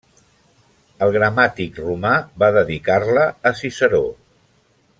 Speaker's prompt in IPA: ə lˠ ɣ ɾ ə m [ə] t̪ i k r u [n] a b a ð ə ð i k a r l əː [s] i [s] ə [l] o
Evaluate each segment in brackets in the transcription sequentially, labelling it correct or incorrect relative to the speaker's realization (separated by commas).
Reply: incorrect, incorrect, correct, correct, incorrect